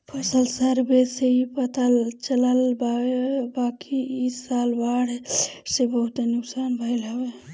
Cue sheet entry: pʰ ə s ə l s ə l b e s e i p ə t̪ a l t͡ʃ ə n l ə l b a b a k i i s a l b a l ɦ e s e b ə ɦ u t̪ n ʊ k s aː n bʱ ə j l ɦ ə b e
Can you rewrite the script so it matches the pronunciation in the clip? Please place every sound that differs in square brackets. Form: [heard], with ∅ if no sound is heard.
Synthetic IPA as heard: pʰ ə s ə l s ə [ɾ] b e s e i p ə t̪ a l t͡ʃ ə [∅] l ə l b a b a k i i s a l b a [ɽ] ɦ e s e b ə ɦ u t̪ n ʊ k s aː n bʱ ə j l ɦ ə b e